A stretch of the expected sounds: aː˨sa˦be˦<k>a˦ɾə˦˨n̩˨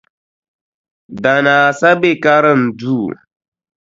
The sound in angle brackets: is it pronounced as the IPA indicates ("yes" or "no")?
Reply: yes